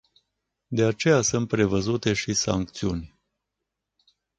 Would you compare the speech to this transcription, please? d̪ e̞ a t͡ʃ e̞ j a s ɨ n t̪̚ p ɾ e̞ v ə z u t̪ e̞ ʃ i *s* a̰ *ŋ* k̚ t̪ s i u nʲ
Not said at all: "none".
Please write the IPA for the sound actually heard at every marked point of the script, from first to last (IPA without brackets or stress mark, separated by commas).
s, ŋ